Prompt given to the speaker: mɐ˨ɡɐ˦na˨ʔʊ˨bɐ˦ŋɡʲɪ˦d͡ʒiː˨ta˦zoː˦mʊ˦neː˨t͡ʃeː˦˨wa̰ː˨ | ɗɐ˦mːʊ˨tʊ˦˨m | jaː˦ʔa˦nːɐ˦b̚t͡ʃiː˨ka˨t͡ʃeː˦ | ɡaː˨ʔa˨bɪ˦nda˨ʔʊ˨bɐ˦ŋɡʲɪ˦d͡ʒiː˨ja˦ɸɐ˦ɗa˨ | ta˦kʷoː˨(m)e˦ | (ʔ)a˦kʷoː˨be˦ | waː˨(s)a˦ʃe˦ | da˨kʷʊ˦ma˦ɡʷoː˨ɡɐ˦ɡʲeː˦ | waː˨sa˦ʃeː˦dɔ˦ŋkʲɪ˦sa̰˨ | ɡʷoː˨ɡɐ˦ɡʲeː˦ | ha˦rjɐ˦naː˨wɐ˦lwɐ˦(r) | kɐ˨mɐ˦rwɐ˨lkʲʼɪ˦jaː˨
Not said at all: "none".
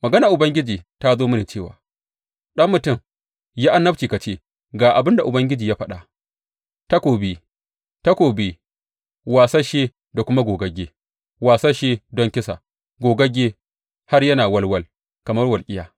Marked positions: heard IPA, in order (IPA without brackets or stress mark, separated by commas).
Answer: b, t, s, l